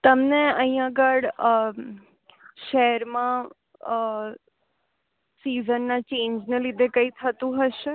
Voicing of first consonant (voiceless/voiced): voiceless